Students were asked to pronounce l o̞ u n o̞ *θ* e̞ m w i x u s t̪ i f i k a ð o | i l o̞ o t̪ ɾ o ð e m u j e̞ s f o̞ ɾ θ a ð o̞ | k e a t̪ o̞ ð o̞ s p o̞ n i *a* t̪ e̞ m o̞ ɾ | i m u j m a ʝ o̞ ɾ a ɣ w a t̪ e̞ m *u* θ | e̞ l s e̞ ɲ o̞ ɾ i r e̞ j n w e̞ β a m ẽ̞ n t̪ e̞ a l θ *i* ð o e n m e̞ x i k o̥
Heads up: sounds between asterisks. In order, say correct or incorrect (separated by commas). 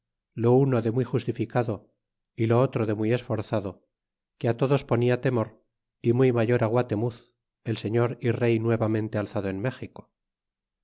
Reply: incorrect, correct, correct, incorrect